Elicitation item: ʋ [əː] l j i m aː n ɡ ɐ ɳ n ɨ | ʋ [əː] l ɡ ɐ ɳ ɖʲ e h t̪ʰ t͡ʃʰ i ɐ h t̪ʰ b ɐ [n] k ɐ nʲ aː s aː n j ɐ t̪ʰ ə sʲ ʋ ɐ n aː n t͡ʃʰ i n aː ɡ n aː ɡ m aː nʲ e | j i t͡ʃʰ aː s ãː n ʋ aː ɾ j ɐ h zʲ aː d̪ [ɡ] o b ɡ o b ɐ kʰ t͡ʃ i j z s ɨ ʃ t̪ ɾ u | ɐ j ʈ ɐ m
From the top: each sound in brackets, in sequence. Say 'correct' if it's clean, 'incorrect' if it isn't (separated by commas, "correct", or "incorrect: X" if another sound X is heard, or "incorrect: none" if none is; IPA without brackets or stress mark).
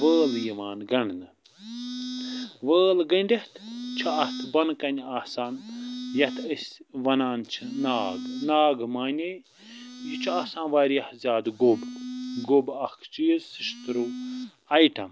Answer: correct, correct, correct, correct